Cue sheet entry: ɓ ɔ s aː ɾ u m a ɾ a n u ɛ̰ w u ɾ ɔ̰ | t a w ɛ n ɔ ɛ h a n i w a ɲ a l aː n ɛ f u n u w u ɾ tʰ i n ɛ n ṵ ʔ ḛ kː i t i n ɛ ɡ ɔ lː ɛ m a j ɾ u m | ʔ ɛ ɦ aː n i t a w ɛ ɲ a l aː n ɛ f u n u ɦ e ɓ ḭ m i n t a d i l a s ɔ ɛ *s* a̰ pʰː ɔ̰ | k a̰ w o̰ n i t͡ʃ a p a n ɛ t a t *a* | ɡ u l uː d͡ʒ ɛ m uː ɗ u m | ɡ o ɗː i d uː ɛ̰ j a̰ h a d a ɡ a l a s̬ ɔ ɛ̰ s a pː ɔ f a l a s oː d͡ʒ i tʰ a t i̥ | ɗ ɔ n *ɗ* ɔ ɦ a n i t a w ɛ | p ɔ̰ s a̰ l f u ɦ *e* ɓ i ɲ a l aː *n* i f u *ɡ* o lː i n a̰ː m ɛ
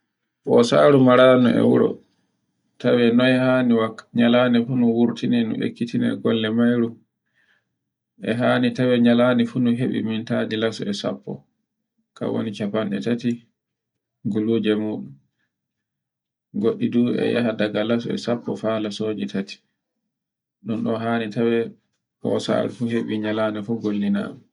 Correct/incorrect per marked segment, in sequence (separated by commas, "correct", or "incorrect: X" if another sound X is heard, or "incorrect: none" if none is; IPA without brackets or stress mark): correct, incorrect: i, correct, correct, correct, correct